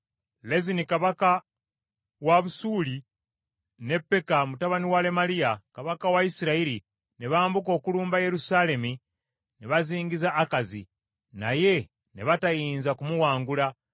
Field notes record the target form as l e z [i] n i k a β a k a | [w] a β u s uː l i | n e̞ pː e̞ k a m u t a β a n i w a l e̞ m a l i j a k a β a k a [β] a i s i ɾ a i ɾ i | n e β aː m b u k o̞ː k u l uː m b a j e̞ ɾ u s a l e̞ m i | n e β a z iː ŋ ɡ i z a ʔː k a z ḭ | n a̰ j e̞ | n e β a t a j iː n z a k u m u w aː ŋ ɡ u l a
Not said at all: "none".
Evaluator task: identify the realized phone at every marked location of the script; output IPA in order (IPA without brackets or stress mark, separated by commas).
i, w, w